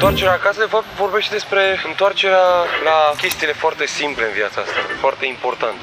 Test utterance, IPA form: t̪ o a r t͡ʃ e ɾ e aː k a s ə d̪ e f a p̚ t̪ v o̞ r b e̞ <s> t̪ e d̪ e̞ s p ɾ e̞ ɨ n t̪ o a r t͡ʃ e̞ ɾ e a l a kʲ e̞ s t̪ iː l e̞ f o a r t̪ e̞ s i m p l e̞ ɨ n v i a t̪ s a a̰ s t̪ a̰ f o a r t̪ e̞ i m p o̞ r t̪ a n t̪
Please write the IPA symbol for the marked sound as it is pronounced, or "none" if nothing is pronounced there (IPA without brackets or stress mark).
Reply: ʃ